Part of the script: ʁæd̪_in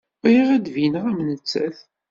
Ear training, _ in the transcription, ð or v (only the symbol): v